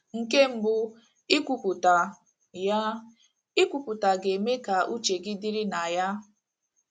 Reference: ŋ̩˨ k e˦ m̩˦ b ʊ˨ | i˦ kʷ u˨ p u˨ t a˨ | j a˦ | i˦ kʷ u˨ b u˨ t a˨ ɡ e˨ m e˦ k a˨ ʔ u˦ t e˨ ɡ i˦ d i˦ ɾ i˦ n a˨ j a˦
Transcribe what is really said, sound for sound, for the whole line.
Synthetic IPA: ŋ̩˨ k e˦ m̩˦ b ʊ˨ | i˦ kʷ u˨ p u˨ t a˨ | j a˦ | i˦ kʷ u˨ p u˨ t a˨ ɡ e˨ m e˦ k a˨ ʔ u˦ t͡ʃ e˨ ɡ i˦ d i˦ ɾ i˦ n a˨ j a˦